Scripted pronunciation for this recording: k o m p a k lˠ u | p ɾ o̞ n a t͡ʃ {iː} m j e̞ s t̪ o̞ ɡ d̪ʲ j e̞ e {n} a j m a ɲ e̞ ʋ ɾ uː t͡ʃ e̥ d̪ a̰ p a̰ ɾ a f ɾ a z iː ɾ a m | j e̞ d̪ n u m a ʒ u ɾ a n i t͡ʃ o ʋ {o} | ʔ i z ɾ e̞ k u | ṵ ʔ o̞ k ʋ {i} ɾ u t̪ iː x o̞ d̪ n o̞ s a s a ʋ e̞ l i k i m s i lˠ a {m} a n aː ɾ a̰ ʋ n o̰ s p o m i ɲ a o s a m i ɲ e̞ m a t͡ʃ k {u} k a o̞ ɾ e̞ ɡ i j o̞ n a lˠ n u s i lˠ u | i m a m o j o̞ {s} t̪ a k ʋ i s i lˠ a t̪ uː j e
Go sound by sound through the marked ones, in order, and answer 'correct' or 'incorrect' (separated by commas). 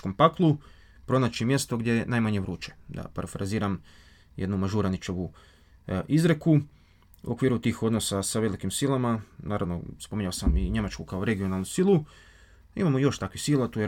incorrect, correct, incorrect, incorrect, correct, correct, incorrect